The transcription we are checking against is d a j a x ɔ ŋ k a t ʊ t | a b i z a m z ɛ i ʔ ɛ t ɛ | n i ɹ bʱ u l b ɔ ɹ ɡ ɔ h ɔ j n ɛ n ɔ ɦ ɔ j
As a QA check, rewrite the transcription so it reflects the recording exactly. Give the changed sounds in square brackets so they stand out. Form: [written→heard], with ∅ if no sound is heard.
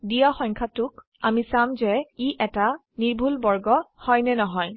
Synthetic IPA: d [a→i] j a x ɔ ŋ [k→kʰ] a t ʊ [t→k] | a [b→m] i [z→s] a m z ɛ i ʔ ɛ t [ɛ→a] | n i ɹ bʱ u l b ɔ ɹ ɡ ɔ h ɔ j n ɛ n ɔ ɦ ɔ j